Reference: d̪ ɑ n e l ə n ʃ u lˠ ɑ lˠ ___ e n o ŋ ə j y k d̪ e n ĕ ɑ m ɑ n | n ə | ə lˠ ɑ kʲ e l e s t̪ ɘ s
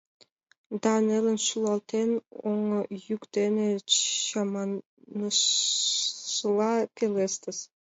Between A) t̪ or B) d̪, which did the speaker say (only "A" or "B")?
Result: A